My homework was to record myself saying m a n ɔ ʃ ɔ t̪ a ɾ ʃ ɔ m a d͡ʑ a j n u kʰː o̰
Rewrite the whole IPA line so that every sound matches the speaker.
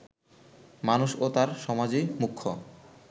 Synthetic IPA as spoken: m a n u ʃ o t̪ a ɾ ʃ ɔ m a d͡ʑ e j m u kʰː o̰

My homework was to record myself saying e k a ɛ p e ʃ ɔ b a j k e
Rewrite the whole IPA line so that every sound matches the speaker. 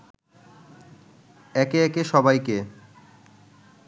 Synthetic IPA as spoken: ɛ k e ɛ k e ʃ ɔ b a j k e

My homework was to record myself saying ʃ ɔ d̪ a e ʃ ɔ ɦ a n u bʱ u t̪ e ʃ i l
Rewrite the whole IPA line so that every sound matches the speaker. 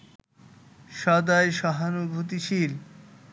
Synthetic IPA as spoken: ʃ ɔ d̪ a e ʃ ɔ ɦ a n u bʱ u t̪ i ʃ i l

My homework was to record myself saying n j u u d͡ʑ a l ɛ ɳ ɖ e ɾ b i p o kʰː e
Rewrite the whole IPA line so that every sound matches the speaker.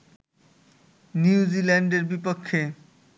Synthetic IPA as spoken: n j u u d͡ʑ i l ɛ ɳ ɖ e ɾ b i p o kʰː e

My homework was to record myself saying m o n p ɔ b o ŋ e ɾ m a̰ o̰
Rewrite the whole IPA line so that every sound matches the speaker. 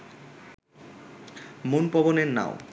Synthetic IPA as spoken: m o n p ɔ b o n e ɾ n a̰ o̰

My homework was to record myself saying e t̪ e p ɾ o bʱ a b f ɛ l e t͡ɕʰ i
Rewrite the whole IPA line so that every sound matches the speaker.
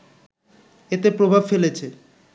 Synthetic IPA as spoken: e t̪ e p ɾ o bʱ a b f e l e t͡ɕʰ e

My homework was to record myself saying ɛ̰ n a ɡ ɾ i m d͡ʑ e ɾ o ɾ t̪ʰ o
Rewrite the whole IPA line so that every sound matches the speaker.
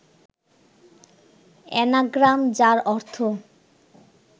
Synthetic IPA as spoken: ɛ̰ n a ɡ ɾ a m d͡ʑ a ɾ ɔ ɾ t̪ʰ o

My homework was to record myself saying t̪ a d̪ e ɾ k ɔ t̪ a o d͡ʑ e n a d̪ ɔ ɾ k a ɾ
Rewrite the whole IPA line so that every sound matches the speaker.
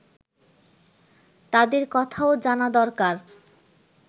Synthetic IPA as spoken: t̪ a d̪ e ɾ k ɔ t̪ʰ a o d͡ʑ a n a d̪ ɔ ɾ k a ɾ

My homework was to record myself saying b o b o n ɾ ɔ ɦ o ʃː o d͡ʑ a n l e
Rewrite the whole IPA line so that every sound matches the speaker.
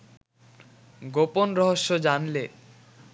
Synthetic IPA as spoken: ɡ o p o n ɾ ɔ ɦ o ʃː o d͡ʑ a n l e

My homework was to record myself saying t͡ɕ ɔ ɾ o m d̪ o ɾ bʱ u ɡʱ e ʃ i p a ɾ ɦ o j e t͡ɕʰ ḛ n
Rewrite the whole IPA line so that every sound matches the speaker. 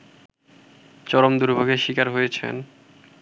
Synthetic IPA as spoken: t͡ɕ ɔ ɾ o m d̪ u ɾ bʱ o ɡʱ e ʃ i k a ɾ ɦ o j e t͡ɕʰ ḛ n

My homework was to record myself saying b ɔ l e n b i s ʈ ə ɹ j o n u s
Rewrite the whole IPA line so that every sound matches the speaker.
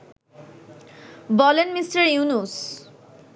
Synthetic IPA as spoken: b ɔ l e n m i s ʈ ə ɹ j u n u s

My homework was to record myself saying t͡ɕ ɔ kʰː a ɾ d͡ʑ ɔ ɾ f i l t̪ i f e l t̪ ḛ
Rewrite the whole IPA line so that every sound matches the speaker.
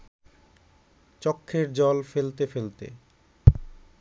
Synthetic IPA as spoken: t͡ɕ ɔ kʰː e ɾ d͡ʑ ɔ l f e l t̪ e f e l t̪ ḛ

